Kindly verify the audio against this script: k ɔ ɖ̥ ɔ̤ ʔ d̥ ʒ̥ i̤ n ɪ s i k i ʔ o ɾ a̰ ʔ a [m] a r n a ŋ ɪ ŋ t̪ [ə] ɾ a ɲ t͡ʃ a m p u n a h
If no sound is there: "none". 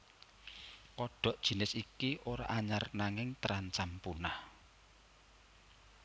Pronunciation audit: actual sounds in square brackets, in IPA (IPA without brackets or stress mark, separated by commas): ɲ, ə